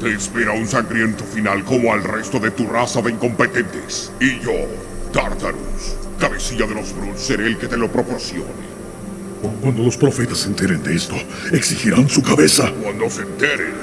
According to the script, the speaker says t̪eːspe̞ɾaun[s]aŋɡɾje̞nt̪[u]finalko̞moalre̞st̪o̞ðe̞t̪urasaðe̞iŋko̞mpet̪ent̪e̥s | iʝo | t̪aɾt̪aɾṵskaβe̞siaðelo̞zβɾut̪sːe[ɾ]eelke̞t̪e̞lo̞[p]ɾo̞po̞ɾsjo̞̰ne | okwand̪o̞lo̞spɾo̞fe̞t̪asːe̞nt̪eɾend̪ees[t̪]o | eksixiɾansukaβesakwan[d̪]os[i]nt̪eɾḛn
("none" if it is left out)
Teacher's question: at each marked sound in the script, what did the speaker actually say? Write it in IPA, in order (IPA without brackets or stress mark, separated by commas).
s, o, ɾ, p, t̪, d̪, e